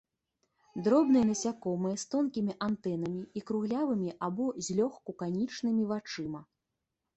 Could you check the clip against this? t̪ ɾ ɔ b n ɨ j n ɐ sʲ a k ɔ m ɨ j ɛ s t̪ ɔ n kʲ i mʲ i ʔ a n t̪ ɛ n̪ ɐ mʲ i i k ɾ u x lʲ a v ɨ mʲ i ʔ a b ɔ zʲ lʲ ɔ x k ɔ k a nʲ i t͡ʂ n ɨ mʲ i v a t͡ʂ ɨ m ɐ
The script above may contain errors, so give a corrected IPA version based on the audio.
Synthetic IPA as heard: d̪ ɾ ɔ b n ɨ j n ɐ sʲ a k ɔ m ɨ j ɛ s t̪ ɔ n kʲ i mʲ i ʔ a n t̪ ɛ n̪ ɐ mʲ i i k ɾ u ɣ lʲ a v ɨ mʲ i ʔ a b ɔ zʲ lʲ ɔ x k u k a nʲ i t͡ʂ n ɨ mʲ i v a t͡ʂ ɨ m ɐ